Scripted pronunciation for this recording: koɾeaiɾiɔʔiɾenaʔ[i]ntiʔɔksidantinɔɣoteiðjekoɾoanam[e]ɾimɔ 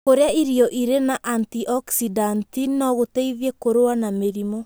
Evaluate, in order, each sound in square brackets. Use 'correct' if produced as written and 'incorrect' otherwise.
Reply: incorrect, correct

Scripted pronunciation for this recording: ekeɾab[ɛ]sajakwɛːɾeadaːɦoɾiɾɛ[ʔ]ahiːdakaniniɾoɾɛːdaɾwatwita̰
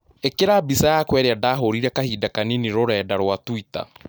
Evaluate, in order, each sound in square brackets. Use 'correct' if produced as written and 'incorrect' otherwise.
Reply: incorrect, incorrect

